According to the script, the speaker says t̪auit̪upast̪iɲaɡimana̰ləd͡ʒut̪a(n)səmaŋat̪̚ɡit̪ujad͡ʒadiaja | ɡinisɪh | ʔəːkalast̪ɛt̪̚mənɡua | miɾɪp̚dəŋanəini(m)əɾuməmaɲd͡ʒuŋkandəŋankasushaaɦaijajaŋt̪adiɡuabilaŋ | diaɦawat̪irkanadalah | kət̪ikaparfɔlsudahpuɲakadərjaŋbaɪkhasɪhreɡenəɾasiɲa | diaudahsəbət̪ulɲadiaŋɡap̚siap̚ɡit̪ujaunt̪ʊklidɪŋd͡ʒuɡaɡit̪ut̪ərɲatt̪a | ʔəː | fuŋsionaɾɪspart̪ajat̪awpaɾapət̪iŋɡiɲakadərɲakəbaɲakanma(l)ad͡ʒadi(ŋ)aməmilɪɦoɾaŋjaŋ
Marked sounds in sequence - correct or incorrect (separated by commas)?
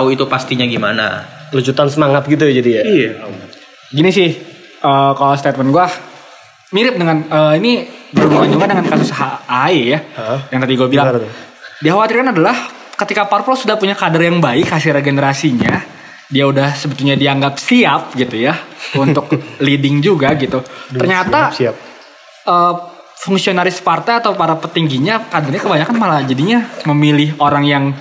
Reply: correct, incorrect, correct, incorrect